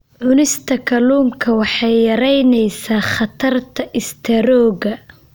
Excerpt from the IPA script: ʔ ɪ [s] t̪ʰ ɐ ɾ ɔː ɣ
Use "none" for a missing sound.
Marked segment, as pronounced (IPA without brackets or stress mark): s